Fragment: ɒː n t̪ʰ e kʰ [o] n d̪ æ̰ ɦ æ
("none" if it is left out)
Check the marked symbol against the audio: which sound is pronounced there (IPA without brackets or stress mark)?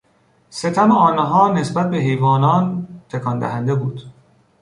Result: ɒ